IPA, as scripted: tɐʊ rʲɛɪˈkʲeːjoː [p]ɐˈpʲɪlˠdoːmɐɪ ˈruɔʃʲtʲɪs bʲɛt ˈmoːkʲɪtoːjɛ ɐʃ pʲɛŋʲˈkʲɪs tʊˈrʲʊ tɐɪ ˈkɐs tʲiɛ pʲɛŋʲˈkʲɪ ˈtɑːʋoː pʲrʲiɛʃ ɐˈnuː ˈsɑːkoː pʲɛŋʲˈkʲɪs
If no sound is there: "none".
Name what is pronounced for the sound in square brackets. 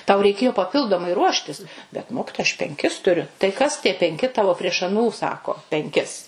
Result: p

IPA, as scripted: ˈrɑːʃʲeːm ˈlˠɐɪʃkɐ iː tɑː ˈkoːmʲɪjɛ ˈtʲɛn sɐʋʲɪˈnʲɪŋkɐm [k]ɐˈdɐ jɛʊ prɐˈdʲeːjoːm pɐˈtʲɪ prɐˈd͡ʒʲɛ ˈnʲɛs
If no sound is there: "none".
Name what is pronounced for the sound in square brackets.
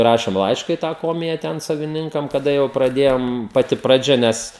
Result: k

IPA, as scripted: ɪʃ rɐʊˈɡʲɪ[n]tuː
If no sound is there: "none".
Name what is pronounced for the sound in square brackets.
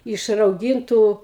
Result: n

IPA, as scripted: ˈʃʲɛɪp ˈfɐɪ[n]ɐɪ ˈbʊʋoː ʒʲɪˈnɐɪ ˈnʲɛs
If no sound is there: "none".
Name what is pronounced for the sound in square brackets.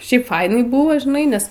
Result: n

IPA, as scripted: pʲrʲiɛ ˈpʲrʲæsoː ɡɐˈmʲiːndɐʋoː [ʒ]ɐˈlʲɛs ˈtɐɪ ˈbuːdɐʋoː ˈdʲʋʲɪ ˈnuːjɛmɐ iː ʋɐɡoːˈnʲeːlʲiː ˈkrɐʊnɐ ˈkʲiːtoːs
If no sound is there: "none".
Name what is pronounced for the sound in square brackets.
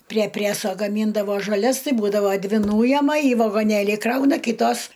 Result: ʒ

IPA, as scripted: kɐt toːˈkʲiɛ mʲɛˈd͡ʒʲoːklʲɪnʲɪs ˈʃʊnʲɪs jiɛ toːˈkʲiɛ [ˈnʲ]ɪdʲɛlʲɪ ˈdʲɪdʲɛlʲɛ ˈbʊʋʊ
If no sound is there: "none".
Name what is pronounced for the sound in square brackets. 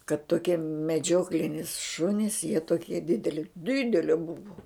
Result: dʲ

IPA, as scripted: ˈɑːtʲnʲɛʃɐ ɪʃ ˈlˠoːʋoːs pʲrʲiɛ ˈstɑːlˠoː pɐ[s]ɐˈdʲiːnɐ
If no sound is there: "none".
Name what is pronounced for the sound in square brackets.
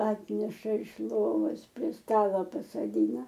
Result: s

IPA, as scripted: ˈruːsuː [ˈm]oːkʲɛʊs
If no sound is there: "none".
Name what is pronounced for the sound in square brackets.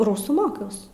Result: m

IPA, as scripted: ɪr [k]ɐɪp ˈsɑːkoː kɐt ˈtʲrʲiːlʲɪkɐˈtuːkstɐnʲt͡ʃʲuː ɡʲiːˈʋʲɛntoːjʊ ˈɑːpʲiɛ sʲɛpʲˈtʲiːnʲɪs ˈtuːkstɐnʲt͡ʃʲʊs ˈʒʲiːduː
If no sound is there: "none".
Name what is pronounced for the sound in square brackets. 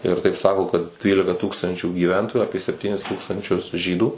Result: t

